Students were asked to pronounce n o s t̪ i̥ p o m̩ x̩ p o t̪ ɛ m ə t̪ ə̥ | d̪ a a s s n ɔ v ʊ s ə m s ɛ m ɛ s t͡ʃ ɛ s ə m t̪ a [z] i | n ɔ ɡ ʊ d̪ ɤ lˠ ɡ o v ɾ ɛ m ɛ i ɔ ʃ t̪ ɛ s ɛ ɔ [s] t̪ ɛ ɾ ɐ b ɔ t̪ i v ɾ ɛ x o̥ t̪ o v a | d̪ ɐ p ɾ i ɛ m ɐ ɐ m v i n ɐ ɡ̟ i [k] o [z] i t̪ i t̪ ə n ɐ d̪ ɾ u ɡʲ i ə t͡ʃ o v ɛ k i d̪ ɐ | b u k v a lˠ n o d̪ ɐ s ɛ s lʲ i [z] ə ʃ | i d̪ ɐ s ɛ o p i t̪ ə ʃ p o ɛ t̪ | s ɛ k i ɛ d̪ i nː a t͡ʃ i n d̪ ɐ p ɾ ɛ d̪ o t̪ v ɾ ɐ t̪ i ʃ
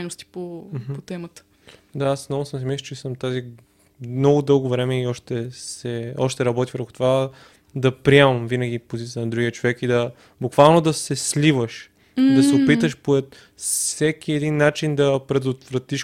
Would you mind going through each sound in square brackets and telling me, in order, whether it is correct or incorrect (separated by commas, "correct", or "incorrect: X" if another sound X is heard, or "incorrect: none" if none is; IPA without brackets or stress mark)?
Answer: correct, incorrect: ʃ, incorrect: p, correct, incorrect: v